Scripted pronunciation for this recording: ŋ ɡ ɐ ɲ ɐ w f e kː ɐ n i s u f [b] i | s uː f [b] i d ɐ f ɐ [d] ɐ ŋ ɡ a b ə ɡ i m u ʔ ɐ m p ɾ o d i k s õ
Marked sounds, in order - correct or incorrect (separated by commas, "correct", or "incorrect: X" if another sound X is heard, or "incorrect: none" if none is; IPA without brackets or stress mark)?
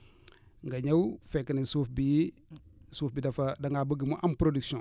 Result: correct, correct, correct